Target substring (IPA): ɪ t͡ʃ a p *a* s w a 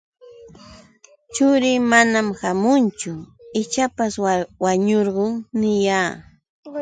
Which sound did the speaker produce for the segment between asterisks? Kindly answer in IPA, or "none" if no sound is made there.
a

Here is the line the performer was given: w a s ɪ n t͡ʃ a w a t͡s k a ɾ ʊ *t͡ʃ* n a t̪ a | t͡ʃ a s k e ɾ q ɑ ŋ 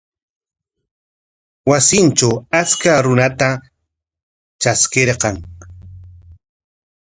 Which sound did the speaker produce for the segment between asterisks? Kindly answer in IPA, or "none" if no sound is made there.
none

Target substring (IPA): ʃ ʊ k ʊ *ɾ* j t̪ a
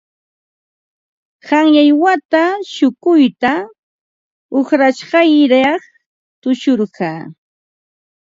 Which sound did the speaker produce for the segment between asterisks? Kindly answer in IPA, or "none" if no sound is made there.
none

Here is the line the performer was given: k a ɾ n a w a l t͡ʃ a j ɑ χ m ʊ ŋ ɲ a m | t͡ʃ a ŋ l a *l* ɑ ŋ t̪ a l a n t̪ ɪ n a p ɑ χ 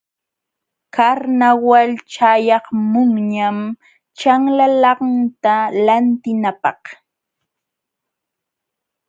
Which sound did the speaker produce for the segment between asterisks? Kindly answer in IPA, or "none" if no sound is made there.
l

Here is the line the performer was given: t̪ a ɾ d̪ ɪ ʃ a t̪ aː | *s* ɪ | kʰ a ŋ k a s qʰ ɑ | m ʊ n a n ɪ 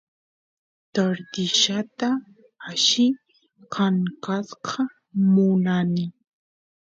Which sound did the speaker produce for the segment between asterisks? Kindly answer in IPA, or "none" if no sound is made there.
ʃ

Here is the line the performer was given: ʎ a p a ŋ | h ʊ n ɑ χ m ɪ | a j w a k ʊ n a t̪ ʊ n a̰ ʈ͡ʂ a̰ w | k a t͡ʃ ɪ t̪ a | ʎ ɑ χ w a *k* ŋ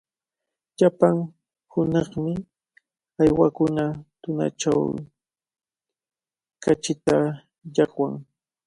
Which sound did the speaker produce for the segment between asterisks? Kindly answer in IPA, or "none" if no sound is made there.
none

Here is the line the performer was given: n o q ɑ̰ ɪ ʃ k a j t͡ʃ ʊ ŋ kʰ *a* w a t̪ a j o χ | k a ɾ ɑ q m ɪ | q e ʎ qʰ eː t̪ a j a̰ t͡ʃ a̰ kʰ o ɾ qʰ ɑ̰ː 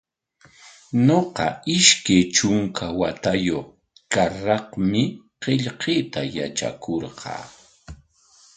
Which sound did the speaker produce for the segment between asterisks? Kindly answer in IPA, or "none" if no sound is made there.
a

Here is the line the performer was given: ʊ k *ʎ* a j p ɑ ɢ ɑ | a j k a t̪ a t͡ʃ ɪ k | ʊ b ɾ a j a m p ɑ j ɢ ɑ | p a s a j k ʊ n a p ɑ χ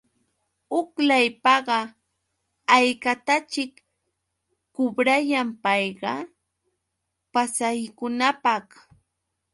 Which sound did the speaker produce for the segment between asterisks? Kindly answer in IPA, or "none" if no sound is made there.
l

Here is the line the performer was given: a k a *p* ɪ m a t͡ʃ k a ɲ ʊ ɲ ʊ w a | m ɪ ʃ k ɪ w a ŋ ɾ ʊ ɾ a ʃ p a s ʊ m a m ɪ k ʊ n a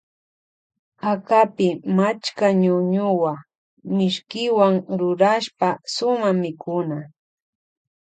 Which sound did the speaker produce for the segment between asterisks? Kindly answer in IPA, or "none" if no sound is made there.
p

